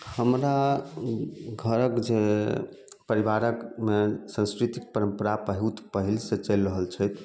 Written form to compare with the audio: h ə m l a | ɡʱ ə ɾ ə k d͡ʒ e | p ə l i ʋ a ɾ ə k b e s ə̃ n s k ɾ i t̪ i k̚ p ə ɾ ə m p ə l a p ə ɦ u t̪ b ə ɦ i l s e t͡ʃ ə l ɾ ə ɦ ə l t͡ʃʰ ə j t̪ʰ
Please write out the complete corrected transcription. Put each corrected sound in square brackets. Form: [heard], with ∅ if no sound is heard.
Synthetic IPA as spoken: h ə m [ɾ] a | ɡʱ ə ɾ ə k d͡ʒ e | p ə [ɾ] i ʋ a ɾ ə k [m] e s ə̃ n s k ɾ i t̪ i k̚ p ə ɾ ə m p ə [ɾ] a p ə ɦ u t̪ [p] ə ɦ i l s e t͡ʃ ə l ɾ ə ɦ ə l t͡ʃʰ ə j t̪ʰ